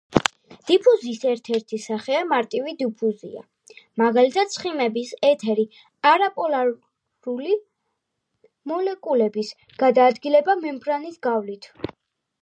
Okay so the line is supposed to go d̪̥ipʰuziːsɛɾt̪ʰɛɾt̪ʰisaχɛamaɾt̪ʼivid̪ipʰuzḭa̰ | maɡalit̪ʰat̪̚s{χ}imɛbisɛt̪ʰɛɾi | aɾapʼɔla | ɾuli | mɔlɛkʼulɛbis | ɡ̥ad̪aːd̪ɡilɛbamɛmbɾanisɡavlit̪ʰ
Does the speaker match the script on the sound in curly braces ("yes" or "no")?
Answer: yes